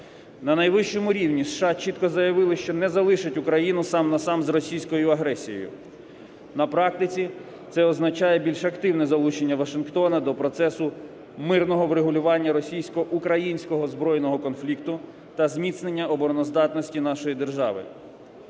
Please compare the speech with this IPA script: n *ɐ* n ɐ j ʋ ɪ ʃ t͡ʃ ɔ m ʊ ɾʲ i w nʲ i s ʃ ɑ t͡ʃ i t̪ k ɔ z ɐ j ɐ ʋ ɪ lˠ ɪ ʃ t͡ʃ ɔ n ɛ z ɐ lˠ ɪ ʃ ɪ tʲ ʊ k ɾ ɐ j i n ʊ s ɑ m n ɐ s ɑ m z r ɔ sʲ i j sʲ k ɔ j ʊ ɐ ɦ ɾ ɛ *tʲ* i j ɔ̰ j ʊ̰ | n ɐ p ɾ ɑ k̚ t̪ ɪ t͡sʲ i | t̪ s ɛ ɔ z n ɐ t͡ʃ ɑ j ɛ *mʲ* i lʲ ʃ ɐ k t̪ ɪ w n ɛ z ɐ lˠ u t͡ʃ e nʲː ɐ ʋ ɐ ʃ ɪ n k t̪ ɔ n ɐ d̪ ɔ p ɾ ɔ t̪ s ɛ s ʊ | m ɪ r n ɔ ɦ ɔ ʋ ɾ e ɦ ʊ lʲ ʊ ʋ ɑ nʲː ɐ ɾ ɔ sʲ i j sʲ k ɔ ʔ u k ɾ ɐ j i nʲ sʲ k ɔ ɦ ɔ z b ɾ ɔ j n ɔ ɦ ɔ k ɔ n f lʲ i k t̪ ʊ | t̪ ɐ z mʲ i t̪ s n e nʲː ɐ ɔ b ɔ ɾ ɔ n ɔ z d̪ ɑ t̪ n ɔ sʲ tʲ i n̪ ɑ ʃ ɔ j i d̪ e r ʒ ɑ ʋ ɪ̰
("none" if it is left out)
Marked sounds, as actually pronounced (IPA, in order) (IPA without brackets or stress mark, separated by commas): ɐ, sʲ, bʲ